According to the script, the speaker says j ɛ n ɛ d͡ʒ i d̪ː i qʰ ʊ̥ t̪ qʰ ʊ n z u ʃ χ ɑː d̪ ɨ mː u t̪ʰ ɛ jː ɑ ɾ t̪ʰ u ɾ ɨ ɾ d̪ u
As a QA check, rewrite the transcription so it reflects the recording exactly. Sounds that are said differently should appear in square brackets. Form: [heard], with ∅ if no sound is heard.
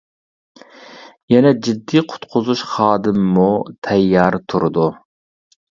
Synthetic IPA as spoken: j ɛ n ɛ d͡ʒ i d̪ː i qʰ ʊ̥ t̪ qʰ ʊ [∅] z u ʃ χ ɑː d̪ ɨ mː u t̪ʰ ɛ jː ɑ ɾ t̪ʰ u ɾ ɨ [∅] d̪ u